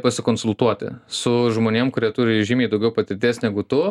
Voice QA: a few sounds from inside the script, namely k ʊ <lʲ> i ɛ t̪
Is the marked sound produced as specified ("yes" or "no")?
no